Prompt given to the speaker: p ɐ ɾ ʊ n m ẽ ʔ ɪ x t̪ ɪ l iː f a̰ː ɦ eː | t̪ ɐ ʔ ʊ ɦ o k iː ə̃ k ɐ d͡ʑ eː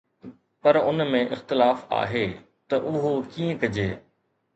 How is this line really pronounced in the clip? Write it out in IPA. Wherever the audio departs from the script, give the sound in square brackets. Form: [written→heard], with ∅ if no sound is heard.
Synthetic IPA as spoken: p ɐ ɾ ʊ n m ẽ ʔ ɪ x t̪ ɪ l [iː→aː] f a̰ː ɦ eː | t̪ ɐ ʔ ʊ ɦ o k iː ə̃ k ɐ d͡ʑ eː